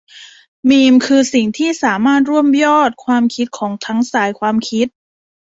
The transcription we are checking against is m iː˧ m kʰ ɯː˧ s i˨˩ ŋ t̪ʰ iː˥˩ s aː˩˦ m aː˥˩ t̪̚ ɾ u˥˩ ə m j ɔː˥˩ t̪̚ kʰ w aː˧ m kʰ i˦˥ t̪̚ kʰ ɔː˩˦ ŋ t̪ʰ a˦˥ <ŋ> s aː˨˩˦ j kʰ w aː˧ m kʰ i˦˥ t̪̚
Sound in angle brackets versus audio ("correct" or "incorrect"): correct